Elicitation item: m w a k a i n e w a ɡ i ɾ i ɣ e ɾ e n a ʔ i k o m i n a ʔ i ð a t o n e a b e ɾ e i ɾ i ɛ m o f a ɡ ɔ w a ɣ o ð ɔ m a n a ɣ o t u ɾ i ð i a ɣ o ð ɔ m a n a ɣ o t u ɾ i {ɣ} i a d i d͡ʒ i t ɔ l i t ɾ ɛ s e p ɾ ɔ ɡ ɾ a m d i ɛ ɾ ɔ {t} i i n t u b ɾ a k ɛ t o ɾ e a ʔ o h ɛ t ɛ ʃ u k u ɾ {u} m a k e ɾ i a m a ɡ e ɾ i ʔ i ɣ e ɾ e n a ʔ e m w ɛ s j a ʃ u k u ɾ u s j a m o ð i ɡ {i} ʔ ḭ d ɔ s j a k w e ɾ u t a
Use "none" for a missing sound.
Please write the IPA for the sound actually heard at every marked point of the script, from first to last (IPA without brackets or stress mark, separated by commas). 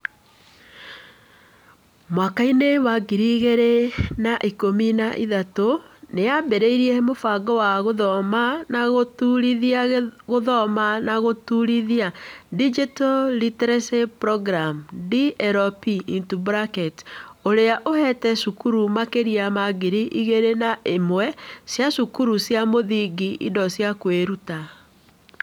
ð, p, u, i